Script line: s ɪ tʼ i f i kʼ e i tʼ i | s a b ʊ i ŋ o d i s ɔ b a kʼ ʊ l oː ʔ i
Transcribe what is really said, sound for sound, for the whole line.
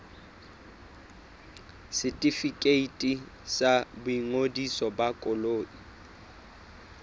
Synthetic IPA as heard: s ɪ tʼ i f i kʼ e i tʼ i | s a b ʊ i ŋ o d i s ɔ b a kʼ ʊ l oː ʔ i